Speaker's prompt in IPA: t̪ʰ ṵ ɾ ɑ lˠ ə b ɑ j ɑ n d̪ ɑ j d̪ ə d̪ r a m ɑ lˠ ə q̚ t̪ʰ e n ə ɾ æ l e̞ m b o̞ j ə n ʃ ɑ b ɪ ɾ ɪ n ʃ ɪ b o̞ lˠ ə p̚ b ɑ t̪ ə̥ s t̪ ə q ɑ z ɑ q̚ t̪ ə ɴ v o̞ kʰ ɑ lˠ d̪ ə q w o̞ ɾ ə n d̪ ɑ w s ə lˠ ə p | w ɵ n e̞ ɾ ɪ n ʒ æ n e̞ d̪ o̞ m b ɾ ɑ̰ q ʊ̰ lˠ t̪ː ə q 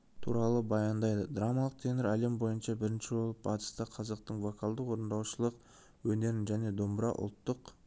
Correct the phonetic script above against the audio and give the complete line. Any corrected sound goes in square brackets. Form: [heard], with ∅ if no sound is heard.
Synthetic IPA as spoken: t̪ʰ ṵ ɾ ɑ lˠ ə b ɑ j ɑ n d̪ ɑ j d̪ ə d̪ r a m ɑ lˠ ə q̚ t̪ʰ e n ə ɾ æ l e̞ m b o̞ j ə n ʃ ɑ b ɪ ɾ ɪ n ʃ ɪ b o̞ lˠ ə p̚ b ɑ t̪ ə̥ s t̪ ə [qʰ] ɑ z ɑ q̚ t̪ ə ɴ v o̞ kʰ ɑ lˠ d̪ ə q w o̞ ɾ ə n d̪ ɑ w [ʃ] ə lˠ ə [q] | w ɵ n e̞ ɾ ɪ n ʒ æ n e̞ d̪ o̞ m b ɾ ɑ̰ [ʔ] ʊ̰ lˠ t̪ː ə q

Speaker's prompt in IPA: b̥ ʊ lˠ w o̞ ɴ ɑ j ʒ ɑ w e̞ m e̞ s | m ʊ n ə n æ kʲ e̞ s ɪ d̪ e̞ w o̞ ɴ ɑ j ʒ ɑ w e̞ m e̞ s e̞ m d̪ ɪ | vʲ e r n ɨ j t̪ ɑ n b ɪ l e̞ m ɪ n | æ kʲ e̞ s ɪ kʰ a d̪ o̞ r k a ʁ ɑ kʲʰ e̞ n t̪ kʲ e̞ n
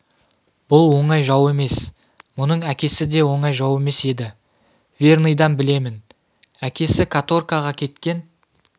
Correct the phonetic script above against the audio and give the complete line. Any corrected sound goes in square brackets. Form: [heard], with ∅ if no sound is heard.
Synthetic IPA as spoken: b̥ ʊ lˠ w o̞ ɴ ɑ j ʒ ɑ w e̞ m e̞ s | m ʊ n ə [ɴ] æ kʲ e̞ s ɪ d̪ e̞ w o̞ ɴ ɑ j ʒ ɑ w e̞ m e̞ s e̞ [∅] d̪ ɪ | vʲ e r n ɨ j [d̪] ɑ n b ɪ l e̞ m ɪ n | æ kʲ e̞ s ɪ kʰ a [t̪] o̞ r k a ʁ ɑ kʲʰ e̞ [∅] t̪ kʲ e̞ n

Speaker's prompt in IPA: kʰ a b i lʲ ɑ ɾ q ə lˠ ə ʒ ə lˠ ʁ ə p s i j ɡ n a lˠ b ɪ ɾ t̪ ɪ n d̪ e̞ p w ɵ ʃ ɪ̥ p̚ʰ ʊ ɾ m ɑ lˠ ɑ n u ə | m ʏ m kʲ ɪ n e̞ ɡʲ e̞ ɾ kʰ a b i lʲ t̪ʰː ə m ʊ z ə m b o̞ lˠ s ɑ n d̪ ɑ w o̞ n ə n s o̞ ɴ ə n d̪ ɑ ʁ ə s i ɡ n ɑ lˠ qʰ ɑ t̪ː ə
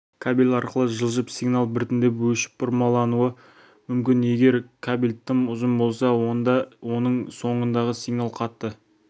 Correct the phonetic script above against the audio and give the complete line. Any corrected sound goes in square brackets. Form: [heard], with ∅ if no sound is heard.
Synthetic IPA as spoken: kʰ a b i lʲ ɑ ɾ q ə lˠ ə ʒ ə lˠ [ʒ] ə p s i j ɡ n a lˠ b ɪ ɾ t̪ ɪ n d̪ e̞ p w ɵ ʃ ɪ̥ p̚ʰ ʊ ɾ m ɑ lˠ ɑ n u ə | m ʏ m kʲ ɪ n e̞ ɡʲ e̞ ɾ kʰ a b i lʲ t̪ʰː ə m ʊ z ə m b o̞ lˠ s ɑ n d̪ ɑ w o̞ n ə [ɴ] s o̞ ɴ ə n d̪ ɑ ʁ ə s i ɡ n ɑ lˠ qʰ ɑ t̪ː ə

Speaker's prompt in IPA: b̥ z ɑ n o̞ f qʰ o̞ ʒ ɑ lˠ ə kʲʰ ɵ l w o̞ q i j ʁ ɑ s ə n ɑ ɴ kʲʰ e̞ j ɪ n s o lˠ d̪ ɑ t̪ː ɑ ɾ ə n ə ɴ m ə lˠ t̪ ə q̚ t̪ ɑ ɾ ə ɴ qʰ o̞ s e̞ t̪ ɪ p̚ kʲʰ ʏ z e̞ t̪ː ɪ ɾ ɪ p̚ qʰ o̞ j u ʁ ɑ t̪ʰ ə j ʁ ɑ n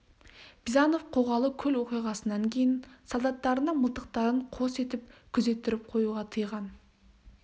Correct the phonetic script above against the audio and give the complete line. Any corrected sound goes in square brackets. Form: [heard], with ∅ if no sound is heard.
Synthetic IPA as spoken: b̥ z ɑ n o̞ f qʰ o̞ [ʁ] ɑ lˠ ə kʲʰ ɵ l w o̞ q i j ʁ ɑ s ə n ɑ [ŋ] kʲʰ e̞ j ɪ n s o lˠ d̪ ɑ t̪ː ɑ ɾ ə n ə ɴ m ə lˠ t̪ ə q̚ t̪ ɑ ɾ ə ɴ qʰ o̞ s e̞ t̪ ɪ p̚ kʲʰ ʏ z e̞ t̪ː ɪ ɾ ɪ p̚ qʰ o̞ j u ʁ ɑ t̪ʰ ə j ʁ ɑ n

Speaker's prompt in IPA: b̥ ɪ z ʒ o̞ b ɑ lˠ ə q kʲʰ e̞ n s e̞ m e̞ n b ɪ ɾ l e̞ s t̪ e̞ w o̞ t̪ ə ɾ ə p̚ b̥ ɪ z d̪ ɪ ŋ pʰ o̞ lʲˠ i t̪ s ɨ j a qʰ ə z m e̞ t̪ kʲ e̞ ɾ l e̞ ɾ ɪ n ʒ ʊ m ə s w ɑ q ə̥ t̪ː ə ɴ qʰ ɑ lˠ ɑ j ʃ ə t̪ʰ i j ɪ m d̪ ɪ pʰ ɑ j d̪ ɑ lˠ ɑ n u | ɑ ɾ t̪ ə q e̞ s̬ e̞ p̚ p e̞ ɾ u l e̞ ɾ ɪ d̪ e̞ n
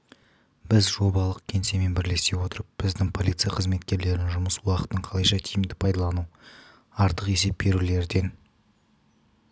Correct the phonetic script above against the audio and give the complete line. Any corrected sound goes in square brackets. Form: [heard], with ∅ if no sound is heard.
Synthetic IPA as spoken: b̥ ɪ z ʒ o̞ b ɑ lˠ ə q kʲʰ e̞ n s e̞ m e̞ n b ɪ ɾ l e̞ s t̪ e̞ w o̞ t̪ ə ɾ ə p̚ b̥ ɪ z d̪ ɪ ŋ pʰ o̞ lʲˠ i t̪ s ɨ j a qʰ ə z m e̞ t̪ kʲ e̞ ɾ l e̞ ɾ ɪ n ʒ ʊ m ə s w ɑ q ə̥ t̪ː ə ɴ qʰ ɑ lˠ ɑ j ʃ [ɑ] t̪ʰ i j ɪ m d̪ ɪ pʰ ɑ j d̪ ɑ lˠ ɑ n u | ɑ ɾ t̪ ə q e̞ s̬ e̞ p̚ [b] e̞ ɾ u l e̞ ɾ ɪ d̪ e̞ n

